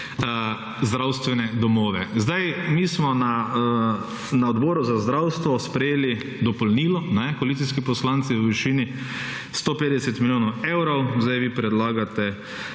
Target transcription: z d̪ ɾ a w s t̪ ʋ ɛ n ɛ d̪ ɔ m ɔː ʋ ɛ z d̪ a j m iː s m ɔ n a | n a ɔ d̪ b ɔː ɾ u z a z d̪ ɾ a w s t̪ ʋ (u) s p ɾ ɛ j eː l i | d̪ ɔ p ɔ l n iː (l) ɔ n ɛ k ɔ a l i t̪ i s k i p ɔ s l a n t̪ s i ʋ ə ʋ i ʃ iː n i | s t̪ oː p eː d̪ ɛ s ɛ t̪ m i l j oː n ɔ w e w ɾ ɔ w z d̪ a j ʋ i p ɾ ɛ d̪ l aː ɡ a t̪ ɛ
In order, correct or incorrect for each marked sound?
incorrect: ɔ, correct

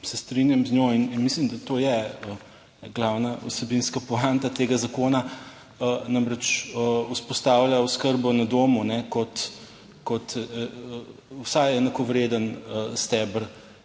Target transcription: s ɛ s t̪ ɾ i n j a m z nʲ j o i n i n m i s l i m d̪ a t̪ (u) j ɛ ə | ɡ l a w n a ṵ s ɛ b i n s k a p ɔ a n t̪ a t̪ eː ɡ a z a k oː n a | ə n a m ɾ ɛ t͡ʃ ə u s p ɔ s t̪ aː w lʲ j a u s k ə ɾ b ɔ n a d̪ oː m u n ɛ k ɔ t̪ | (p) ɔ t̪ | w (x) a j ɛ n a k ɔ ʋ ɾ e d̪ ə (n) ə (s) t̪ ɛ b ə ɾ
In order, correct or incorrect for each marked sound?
incorrect: o, incorrect: k, incorrect: s, correct, correct

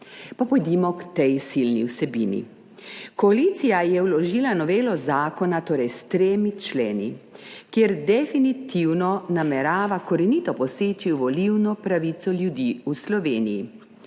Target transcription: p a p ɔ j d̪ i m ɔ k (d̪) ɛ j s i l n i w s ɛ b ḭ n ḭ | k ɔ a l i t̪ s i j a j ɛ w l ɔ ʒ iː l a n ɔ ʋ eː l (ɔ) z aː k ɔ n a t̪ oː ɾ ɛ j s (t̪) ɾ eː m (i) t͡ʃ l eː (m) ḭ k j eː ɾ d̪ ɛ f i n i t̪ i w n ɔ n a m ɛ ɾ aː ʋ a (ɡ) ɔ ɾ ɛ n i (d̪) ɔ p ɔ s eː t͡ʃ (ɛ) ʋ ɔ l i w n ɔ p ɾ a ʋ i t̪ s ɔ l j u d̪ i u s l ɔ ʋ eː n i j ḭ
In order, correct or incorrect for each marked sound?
incorrect: t̪, correct, correct, correct, incorrect: n, incorrect: k, incorrect: t̪, incorrect: i

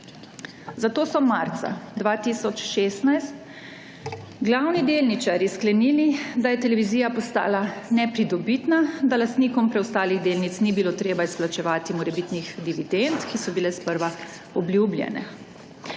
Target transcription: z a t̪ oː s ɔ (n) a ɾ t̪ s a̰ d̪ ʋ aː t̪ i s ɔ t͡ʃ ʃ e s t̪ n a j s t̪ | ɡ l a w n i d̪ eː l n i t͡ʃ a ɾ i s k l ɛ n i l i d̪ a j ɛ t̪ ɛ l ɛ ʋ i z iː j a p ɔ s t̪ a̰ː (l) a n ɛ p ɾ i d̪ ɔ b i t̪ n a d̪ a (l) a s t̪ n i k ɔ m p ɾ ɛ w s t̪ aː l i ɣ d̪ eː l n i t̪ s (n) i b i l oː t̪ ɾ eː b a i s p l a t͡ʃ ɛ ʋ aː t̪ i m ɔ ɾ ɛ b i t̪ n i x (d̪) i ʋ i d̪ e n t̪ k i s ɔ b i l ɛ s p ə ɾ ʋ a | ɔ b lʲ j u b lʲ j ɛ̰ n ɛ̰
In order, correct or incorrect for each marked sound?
incorrect: m, correct, correct, correct, correct

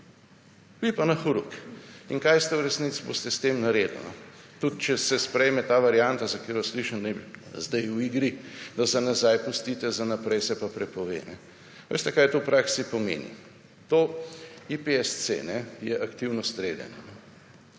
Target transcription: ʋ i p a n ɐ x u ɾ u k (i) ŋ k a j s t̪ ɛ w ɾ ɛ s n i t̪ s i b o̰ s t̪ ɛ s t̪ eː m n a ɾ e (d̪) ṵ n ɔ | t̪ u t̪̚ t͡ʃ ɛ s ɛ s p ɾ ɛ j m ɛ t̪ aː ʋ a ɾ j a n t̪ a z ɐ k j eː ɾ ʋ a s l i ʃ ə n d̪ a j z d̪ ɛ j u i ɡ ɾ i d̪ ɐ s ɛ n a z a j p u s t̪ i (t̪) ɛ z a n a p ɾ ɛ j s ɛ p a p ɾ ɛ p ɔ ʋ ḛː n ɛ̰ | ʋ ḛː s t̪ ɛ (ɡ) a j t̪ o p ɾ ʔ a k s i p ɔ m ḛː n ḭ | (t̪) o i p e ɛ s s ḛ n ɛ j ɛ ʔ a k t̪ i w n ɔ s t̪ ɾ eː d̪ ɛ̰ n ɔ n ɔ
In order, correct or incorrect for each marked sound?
correct, correct, correct, incorrect: k, correct

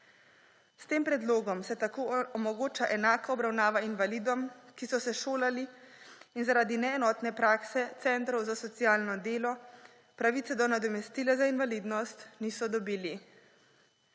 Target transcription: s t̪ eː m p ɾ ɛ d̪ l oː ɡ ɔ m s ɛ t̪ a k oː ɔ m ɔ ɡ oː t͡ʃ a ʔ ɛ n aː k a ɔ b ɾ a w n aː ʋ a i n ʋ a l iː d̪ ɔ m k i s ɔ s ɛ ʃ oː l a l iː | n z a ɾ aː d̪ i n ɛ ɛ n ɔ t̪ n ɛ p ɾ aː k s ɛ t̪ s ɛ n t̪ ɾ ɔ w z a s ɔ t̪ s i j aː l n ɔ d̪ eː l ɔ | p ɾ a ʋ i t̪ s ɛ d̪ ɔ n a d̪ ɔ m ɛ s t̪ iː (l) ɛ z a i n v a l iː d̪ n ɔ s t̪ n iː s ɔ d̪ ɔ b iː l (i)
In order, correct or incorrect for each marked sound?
correct, correct

